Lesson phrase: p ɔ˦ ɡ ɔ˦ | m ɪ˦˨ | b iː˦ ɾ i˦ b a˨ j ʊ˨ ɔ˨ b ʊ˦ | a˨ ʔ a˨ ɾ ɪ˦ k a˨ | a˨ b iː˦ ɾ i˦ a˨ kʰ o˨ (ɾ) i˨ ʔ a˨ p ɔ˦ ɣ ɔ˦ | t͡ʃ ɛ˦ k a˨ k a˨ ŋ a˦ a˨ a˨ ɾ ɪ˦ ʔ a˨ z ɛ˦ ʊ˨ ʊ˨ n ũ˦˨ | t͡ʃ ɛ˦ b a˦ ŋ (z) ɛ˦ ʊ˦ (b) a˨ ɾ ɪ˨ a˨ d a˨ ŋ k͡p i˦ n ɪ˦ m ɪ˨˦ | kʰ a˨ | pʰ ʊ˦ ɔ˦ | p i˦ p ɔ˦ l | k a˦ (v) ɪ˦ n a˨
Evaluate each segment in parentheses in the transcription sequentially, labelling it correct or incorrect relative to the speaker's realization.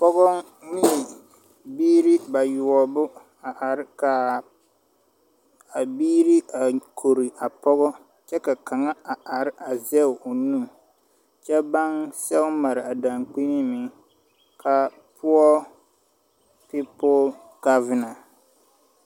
correct, incorrect: s, incorrect: m, correct

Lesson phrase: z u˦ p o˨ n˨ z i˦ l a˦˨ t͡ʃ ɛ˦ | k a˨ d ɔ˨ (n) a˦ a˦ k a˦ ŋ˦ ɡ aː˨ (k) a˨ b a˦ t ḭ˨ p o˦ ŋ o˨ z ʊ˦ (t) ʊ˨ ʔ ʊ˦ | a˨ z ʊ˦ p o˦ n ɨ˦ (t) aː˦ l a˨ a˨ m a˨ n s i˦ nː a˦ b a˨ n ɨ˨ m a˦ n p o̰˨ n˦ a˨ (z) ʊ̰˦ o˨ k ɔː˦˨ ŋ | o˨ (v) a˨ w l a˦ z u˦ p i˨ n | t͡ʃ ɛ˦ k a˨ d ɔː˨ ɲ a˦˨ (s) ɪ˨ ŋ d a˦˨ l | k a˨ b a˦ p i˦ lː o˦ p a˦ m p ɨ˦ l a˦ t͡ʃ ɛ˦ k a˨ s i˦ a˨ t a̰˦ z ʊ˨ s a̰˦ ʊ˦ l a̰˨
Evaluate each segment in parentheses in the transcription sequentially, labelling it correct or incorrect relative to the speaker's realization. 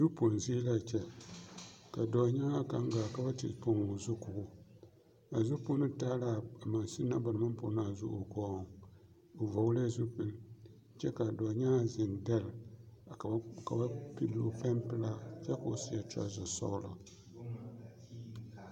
incorrect: ɲ, correct, incorrect: k, correct, correct, correct, incorrect: z

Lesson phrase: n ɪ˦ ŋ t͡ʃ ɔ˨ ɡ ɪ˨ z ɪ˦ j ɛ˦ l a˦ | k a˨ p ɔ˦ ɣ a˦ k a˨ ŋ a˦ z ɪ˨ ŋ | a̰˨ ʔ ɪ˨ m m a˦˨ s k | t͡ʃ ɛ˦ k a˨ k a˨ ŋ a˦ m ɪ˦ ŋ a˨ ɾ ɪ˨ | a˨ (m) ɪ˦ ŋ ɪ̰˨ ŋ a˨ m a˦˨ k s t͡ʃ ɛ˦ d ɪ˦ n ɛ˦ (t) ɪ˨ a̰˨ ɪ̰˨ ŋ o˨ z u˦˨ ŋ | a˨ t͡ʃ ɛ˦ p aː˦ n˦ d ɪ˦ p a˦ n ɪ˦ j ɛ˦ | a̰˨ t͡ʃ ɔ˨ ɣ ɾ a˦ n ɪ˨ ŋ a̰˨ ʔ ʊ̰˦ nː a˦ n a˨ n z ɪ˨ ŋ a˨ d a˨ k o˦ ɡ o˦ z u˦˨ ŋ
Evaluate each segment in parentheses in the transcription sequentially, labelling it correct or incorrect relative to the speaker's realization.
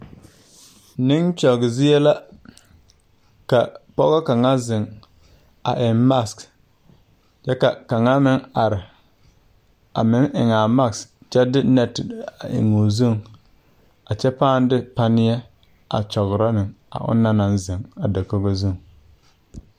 correct, correct

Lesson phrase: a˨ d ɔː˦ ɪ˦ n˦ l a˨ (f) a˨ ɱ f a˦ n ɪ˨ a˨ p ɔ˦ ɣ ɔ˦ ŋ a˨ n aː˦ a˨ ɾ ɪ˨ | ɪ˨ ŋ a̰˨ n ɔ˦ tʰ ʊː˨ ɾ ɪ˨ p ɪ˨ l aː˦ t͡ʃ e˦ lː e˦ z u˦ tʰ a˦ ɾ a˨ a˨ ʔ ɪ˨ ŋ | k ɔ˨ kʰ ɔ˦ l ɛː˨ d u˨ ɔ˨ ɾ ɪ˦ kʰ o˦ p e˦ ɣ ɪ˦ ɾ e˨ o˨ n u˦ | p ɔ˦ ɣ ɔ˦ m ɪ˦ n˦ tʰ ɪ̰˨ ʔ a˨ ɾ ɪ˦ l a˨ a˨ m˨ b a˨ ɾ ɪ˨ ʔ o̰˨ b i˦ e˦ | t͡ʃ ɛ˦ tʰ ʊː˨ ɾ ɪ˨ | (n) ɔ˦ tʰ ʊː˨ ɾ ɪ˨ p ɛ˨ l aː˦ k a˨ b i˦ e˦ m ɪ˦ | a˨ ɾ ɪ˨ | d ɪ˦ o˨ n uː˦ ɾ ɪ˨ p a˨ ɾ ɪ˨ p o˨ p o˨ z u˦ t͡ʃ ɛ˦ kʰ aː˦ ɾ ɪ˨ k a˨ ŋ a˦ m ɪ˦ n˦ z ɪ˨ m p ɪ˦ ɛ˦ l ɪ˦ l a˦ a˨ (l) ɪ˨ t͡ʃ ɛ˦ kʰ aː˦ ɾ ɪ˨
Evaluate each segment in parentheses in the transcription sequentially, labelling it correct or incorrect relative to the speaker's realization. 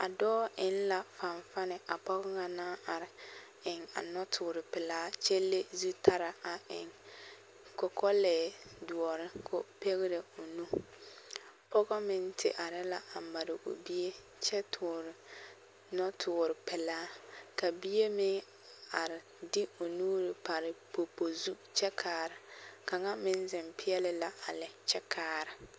correct, correct, correct

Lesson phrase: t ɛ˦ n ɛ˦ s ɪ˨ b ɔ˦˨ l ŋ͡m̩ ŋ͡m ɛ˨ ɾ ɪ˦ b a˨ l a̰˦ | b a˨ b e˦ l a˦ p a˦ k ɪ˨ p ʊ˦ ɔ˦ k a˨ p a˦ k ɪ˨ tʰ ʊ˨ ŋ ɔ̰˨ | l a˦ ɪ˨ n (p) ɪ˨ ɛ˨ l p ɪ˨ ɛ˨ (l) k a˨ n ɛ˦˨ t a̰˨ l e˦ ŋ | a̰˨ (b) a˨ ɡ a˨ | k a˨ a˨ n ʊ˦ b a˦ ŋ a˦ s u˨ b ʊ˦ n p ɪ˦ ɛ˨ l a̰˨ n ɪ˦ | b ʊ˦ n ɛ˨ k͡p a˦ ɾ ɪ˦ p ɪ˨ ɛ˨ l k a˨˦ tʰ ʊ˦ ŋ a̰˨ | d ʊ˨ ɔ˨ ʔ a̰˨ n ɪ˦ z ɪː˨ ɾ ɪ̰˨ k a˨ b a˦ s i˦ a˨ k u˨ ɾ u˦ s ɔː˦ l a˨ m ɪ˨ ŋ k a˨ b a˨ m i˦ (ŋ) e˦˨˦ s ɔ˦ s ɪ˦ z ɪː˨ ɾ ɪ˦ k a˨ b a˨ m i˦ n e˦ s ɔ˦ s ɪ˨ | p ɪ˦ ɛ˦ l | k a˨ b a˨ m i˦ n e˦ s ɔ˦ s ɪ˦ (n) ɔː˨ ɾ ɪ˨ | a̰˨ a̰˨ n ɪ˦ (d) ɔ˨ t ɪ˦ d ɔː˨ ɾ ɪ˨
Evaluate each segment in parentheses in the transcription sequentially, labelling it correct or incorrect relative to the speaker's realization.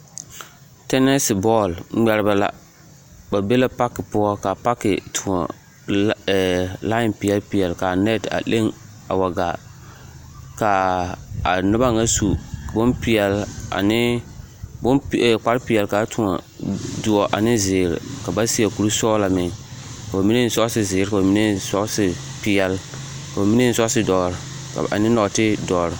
correct, correct, incorrect: w, incorrect: n, incorrect: d, incorrect: n

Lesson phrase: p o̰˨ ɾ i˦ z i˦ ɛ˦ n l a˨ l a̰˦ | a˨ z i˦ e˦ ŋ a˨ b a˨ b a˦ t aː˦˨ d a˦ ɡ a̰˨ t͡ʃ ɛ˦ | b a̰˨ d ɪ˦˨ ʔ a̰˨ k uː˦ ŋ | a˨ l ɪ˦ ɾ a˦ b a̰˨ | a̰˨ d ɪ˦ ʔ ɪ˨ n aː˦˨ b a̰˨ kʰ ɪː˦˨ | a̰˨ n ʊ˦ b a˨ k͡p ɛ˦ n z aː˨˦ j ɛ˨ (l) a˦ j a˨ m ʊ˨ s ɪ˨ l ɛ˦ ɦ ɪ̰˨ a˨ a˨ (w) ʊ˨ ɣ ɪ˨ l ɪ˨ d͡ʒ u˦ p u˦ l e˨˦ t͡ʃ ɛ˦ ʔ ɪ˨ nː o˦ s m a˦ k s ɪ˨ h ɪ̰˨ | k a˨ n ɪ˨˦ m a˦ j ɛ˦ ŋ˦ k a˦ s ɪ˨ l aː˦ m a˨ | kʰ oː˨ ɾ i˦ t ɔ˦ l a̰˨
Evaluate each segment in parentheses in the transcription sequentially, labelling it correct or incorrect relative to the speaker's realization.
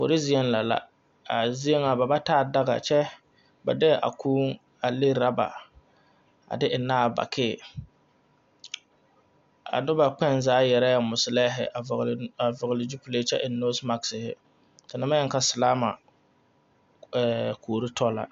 incorrect: ɾ, incorrect: v

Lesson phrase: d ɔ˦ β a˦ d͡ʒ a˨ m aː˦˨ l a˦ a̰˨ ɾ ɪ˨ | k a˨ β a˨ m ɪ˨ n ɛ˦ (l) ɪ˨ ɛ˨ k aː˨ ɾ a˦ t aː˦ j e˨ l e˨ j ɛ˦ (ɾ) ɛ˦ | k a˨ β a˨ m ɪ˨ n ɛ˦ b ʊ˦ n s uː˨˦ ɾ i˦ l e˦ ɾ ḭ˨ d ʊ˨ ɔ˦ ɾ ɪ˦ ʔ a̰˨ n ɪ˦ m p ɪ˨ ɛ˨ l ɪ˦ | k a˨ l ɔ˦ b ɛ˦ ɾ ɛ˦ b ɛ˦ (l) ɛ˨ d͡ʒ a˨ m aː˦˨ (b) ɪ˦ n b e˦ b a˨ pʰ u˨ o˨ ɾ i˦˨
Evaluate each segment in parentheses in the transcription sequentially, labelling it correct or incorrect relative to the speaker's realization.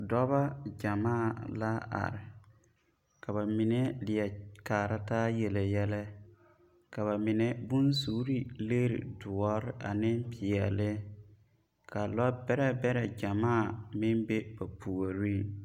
correct, incorrect: l, incorrect: ɾ, incorrect: m

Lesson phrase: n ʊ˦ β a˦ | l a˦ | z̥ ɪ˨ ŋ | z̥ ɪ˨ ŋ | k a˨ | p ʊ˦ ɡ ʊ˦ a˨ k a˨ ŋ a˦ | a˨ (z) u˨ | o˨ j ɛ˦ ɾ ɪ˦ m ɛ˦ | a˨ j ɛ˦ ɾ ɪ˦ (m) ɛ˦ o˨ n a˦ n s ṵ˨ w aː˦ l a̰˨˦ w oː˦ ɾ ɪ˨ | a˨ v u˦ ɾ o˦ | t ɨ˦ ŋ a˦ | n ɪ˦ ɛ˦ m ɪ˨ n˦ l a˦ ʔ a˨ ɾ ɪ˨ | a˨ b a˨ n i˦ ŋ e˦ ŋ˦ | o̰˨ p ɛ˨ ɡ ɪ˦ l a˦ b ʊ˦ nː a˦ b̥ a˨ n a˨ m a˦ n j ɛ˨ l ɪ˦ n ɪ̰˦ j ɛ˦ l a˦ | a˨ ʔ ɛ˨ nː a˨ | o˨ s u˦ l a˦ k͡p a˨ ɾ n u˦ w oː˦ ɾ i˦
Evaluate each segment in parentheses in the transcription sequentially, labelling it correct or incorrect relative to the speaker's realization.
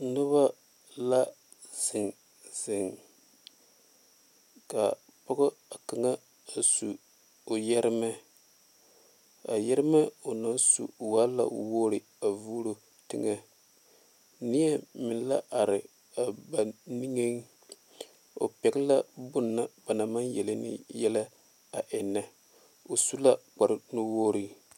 incorrect: s, correct

